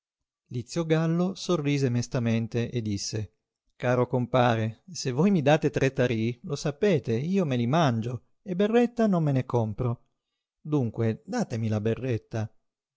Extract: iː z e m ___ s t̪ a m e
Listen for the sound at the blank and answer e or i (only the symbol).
e